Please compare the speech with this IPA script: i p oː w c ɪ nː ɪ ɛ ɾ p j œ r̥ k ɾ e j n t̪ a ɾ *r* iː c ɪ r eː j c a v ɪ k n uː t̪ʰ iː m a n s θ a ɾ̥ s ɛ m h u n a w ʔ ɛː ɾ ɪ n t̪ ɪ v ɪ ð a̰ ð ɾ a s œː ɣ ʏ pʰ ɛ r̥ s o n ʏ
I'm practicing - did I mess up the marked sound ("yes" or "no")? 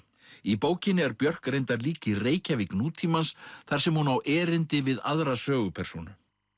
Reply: yes